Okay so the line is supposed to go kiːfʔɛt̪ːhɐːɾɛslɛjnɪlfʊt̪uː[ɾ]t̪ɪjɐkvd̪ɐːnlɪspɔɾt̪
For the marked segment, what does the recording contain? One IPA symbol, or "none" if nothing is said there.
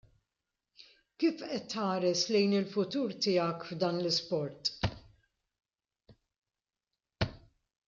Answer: ɾ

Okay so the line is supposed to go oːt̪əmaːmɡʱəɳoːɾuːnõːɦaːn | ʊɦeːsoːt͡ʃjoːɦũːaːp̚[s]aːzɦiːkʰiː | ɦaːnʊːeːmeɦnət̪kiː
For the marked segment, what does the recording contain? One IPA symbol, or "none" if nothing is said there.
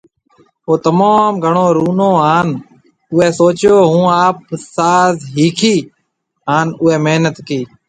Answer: s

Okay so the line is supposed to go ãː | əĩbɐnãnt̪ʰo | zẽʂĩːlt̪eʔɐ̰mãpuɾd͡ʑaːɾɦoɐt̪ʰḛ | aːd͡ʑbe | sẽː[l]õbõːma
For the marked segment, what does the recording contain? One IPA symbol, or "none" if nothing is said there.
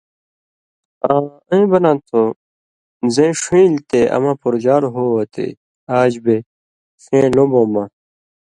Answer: l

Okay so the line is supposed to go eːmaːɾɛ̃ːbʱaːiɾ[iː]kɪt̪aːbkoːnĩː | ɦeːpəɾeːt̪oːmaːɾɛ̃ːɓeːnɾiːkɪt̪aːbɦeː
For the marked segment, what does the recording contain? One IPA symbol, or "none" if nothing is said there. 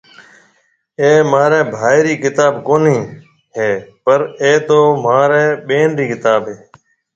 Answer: iː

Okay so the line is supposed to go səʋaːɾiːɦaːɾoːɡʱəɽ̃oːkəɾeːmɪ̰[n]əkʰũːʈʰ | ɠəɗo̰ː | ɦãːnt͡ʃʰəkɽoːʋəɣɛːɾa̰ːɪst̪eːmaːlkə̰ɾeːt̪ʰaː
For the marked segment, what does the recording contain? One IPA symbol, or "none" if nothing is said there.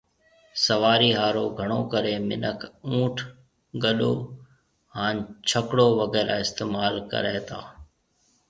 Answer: n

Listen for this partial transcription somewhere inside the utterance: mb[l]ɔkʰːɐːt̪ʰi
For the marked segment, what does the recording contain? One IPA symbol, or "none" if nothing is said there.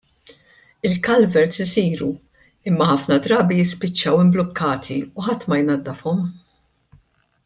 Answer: l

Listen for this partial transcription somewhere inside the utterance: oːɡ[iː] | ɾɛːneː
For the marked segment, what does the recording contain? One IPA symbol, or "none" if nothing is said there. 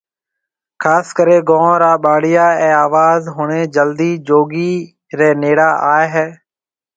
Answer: iː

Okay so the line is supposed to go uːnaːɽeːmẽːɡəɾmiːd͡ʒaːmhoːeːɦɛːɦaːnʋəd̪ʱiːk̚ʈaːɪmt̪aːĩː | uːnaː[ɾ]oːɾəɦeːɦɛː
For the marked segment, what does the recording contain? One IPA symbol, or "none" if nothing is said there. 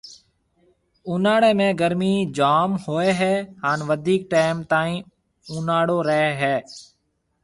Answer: ɽ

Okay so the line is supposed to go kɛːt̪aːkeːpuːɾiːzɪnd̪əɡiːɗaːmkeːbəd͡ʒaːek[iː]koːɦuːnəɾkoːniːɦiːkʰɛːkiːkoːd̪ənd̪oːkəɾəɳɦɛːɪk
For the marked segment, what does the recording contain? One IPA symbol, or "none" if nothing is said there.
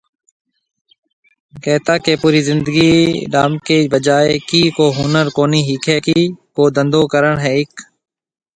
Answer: iː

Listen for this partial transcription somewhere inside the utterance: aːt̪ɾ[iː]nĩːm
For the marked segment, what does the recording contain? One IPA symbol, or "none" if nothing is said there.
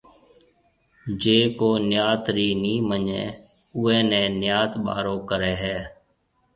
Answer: iː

